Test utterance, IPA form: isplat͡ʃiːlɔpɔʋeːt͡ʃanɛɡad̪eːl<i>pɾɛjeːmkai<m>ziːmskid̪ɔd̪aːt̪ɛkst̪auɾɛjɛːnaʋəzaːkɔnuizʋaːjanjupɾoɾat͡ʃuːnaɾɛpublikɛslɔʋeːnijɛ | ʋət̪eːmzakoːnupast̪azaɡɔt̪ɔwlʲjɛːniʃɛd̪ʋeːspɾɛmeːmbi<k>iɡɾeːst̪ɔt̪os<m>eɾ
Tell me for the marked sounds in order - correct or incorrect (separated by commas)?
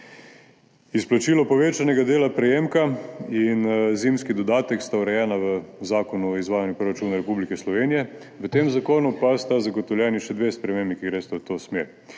incorrect, incorrect, correct, correct